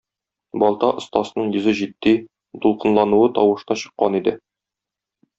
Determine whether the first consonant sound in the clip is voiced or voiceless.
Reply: voiced